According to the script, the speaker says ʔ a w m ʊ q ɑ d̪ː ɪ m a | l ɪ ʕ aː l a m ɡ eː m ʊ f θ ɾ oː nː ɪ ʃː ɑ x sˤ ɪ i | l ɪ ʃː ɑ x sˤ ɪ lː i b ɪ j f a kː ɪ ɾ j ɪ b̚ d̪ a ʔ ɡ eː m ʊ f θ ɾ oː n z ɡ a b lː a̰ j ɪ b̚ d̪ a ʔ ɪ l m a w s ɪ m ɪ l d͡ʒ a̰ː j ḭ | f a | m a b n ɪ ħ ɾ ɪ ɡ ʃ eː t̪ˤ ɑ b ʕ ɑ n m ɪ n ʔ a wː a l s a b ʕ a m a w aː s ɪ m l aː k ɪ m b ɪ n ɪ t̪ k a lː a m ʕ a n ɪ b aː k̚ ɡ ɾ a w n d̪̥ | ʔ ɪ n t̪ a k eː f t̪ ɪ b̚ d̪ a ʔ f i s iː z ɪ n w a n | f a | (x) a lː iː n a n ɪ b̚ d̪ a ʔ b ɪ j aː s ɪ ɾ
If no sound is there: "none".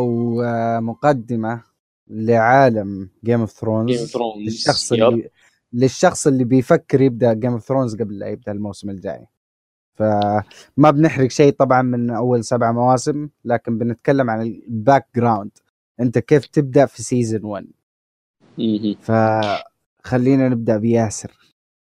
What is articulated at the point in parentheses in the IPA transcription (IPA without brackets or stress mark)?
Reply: x